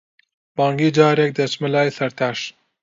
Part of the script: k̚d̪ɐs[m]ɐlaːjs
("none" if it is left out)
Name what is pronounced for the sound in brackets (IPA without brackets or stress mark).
m